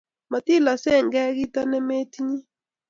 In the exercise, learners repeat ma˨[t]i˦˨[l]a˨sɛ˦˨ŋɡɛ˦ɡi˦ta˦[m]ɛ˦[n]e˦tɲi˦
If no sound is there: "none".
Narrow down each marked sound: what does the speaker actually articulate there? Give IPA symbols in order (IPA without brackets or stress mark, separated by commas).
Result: t, l, n, m